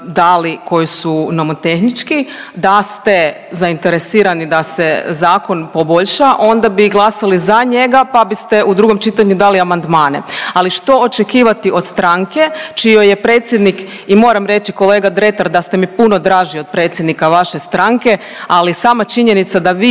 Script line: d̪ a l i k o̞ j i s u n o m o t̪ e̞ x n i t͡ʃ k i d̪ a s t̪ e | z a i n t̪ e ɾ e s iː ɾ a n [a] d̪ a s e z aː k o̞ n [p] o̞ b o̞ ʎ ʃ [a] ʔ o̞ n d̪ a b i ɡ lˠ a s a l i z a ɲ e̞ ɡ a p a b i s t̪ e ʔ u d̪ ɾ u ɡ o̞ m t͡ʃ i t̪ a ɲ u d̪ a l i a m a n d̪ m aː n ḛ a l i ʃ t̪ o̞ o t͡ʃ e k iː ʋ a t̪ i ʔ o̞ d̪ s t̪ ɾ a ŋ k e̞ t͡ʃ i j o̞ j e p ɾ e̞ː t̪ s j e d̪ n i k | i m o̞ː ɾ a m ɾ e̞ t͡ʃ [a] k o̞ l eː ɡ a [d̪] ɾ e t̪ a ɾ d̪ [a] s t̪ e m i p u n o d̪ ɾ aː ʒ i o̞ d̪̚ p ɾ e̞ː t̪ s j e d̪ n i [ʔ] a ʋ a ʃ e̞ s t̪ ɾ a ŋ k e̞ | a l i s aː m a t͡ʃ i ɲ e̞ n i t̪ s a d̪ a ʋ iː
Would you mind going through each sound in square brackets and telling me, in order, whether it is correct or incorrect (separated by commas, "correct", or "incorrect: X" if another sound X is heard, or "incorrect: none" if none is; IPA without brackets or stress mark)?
incorrect: i, correct, correct, incorrect: i, correct, correct, incorrect: k